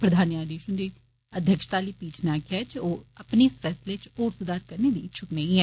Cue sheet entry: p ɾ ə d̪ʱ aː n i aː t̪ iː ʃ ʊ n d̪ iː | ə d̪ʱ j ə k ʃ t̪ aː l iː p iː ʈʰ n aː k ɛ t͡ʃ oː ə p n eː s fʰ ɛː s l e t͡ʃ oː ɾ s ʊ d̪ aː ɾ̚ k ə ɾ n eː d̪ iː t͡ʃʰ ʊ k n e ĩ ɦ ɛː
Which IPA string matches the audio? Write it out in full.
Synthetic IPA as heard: p ɾ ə d̪ʱ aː n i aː d̪ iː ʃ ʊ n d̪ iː | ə d̪ʱ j ə k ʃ t̪ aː l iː p iː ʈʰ n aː k ɛ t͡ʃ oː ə p n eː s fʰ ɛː s l e t͡ʃ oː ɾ s ʊ d̪ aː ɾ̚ k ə ɾ n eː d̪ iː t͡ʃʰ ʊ k n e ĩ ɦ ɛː